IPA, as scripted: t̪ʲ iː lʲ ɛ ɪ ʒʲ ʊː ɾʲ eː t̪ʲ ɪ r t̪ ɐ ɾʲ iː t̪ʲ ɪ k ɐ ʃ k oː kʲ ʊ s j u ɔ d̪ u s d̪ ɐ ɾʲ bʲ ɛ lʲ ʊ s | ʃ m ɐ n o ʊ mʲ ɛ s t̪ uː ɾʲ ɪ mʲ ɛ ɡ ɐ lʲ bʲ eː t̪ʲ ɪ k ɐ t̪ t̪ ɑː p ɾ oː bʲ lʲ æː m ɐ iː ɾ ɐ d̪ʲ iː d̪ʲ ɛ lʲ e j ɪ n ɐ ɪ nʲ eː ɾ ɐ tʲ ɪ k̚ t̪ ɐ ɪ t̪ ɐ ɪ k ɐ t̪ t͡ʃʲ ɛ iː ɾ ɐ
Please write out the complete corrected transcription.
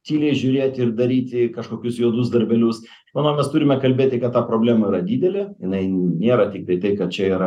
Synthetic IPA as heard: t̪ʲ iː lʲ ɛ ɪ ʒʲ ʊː ɾʲ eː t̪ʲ ɪ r d̪ ɐ ɾʲ iː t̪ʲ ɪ k ɐ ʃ k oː kʲ ʊ s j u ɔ d̪ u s d̪ ɐ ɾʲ bʲ ɛ lʲ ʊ s | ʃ m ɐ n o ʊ mʲ ɛ s t̪ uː ɾʲ ɪ mʲ ɛ k ɐ lʲ bʲ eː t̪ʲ ɪ k ɐ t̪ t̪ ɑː p ɾ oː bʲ lʲ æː m ɐ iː ɾ ɐ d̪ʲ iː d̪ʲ ɛ lʲ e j ɪ n ɐ ɪ nʲ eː ɾ ɐ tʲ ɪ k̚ t̪ ɐ ɪ t̪ ɐ ɪ k ɐ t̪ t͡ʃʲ ɛ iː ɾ ɐ